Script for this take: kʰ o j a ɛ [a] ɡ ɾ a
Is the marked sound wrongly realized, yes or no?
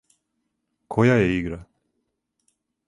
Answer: yes